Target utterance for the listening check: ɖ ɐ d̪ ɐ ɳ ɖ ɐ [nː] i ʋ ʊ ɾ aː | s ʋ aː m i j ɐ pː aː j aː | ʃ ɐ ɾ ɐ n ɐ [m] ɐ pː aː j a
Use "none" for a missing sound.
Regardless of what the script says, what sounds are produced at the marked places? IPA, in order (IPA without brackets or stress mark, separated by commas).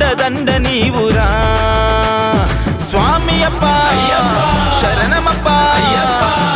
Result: n, m